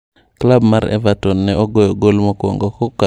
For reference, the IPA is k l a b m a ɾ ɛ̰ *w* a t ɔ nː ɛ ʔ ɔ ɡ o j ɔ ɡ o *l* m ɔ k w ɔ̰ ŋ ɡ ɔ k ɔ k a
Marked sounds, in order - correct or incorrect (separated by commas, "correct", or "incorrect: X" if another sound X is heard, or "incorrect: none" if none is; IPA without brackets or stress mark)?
incorrect: v, correct